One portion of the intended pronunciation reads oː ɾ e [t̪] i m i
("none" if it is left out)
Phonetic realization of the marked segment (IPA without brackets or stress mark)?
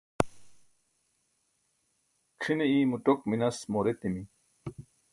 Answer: t̪